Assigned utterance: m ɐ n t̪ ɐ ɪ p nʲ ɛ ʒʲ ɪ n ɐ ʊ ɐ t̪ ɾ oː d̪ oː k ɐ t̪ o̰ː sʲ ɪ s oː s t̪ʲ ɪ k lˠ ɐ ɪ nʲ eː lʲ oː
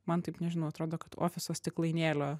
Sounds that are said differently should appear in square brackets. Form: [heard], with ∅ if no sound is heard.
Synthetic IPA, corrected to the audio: m ɐ n t̪ ɐ ɪ p nʲ ɛ ʒʲ ɪ n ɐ ʊ ɐ t̪ ɾ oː d̪ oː k ɐ t̪ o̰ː [fʲ] ɪ s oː s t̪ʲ ɪ k lˠ ɐ ɪ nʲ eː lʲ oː